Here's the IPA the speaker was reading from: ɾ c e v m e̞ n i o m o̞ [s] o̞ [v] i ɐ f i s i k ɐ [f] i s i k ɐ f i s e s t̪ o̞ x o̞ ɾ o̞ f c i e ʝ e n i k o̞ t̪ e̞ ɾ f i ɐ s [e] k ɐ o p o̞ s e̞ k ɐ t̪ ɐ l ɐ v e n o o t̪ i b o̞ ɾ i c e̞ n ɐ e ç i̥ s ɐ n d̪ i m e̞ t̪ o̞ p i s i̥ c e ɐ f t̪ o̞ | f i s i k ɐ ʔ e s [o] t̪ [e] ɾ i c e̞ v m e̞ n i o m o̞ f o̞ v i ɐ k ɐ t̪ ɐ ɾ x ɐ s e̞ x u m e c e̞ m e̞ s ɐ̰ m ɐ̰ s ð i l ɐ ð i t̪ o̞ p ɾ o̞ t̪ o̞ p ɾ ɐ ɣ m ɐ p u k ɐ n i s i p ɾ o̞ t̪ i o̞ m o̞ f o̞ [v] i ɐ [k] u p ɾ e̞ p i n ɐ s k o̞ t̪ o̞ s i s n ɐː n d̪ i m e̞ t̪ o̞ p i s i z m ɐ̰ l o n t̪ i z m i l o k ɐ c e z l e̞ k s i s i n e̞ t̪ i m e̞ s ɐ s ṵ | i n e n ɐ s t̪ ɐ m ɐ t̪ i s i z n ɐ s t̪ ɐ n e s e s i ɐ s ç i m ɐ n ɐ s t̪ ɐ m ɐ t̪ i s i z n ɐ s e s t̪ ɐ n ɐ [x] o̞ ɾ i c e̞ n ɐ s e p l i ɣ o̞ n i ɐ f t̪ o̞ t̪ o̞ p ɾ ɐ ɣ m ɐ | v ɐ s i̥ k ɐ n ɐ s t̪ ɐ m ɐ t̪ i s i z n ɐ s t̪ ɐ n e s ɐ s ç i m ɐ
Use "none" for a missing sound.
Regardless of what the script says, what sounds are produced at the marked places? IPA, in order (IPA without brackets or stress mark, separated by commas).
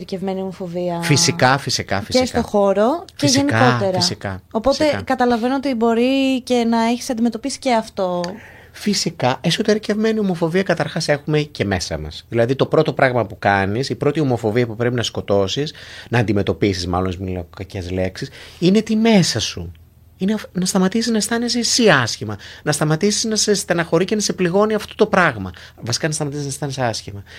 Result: f, v, f, i, o, e, v, p, x